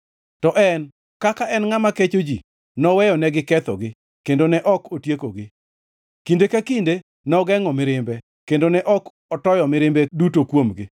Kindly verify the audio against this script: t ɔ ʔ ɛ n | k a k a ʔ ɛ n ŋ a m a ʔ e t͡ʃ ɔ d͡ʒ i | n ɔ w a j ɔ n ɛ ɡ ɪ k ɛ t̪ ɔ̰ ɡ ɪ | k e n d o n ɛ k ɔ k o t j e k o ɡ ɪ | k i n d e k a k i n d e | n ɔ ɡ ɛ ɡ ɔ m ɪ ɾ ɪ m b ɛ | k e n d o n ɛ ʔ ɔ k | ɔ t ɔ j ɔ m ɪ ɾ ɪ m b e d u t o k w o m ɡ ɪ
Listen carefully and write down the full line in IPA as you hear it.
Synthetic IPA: t ɔ ʔ ɛ n | k a k a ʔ ɛ n ŋ a m a k e t͡ʃ o d͡ʒ i | n ɔ w ɛ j ɔ n ɛ ɡ ɪ k ɛ t̪ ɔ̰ ɡ ɪ | k e n d o n ɛ ʔ ɔ k o t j e k o ɡ ɪ | k i n d e k a k i n d e | n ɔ ɡ ɛ ŋ ɔ m ɪ ɾ ɪ m b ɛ | k e n d o n ɛ ʔ ɔ k | ɔ t ɔ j ɔ m ɪ ɾ ɪ m b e d u t o k w o m ɡ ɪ